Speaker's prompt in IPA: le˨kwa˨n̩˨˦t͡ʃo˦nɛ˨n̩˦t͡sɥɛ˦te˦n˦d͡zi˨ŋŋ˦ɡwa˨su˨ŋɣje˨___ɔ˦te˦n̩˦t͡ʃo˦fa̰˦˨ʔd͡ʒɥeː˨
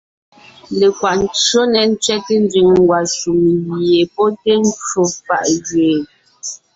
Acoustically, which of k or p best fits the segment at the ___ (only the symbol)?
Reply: p